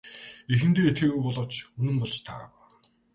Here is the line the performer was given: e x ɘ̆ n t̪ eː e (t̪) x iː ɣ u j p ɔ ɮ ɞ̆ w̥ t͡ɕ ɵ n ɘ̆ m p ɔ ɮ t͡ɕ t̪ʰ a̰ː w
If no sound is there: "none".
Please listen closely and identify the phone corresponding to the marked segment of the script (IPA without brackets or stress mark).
t̪